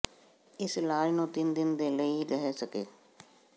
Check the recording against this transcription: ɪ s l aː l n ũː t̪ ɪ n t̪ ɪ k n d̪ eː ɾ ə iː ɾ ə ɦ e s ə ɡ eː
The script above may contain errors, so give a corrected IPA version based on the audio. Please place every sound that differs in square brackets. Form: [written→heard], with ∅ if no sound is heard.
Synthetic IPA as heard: ɪ s l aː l n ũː t̪ ɪ n [t̪→d̪] ɪ [k→∅] n d̪ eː [ɾ→l] ə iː ɾ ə ɦ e s ə [ɡ→k] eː